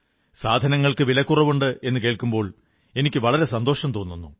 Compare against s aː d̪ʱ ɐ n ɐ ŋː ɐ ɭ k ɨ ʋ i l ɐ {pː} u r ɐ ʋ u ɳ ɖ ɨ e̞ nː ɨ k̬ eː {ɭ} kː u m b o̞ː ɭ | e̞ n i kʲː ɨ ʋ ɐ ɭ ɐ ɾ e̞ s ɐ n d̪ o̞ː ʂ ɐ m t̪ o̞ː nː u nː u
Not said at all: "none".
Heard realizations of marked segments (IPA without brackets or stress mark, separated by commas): kː, ɭ